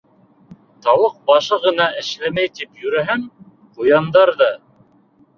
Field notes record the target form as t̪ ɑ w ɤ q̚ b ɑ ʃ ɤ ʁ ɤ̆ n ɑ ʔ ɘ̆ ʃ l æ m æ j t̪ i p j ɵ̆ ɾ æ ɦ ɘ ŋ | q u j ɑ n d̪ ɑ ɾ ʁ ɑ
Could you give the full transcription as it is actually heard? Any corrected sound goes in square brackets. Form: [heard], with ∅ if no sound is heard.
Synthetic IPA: t̪ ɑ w ɤ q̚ b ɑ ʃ ɤ ʁ ɤ̆ n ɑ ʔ ɘ̆ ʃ l æ m æ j t̪ i p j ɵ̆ ɾ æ ɦ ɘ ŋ | q u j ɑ n d̪ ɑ ɾ [ð] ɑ